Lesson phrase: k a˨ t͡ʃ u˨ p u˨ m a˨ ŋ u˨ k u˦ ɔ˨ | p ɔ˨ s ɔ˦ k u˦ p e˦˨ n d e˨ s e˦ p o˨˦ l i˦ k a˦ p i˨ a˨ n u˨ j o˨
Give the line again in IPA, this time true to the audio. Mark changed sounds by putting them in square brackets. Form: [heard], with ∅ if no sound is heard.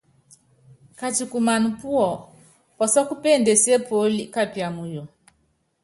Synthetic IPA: k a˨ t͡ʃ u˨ [k] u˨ m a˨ [n] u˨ [p] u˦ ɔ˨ | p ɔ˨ s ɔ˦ k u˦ p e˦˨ n d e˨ s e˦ p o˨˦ l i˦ k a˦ p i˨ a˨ [m] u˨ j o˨